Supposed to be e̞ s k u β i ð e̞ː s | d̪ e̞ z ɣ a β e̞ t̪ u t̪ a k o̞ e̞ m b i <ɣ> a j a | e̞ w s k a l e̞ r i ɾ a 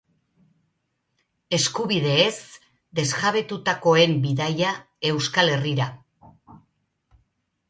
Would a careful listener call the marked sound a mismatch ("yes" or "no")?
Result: yes